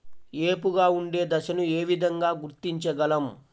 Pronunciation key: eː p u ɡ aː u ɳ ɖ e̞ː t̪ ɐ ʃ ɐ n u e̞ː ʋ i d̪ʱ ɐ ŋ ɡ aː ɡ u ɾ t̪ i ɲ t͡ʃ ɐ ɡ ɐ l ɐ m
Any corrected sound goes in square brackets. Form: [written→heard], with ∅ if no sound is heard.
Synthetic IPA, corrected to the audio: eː p u ɡ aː u ɳ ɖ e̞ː [t̪→d̪] ɐ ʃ ɐ n u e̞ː ʋ i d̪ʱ ɐ ŋ ɡ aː ɡ u ɾ t̪ i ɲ t͡ʃ ɐ ɡ ɐ l ɐ m